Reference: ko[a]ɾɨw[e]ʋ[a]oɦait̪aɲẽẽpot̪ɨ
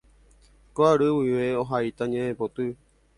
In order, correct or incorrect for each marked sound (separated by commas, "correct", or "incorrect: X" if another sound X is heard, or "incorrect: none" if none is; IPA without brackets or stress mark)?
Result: correct, incorrect: i, incorrect: e